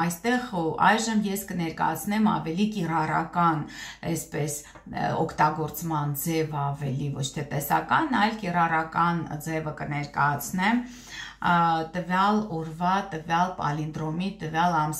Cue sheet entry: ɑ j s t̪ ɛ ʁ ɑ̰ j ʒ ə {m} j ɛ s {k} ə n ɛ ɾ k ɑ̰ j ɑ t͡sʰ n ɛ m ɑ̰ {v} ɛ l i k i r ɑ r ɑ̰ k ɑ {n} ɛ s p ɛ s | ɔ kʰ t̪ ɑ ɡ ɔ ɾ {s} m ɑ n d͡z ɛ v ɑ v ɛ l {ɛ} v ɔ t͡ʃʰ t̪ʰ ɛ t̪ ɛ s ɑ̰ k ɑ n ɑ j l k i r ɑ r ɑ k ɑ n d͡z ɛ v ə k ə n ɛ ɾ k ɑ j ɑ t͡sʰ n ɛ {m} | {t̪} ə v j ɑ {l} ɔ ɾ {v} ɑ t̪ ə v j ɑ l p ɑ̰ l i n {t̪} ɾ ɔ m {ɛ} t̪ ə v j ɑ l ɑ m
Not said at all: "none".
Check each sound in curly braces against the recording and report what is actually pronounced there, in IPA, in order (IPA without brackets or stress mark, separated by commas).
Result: m, k, v, n, t͡s, i, m, t̪, l, v, d̪, i